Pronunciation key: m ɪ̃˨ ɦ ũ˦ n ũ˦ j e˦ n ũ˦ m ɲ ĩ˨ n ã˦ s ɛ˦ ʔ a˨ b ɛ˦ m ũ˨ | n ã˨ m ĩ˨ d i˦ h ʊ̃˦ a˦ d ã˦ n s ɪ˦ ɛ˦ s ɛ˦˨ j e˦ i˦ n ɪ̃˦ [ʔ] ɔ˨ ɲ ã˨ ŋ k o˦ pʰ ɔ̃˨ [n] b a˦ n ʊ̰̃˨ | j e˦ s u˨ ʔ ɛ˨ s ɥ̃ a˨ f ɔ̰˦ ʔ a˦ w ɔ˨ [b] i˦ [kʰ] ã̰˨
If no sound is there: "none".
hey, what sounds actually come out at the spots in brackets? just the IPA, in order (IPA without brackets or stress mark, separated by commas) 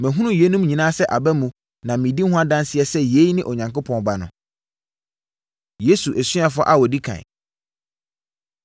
ʔ, n, d, kʰ